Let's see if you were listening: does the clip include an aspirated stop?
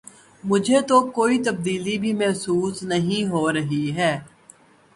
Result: no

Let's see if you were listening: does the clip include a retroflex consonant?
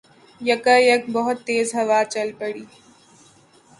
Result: yes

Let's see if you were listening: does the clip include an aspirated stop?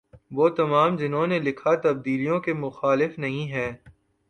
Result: yes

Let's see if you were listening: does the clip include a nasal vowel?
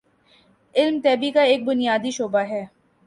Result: no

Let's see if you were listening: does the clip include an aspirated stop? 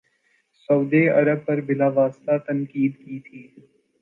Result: yes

